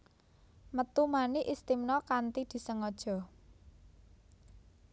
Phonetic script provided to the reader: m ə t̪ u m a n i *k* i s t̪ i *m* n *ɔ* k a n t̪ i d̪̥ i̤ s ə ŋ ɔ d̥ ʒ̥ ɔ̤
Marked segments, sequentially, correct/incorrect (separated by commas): incorrect, correct, correct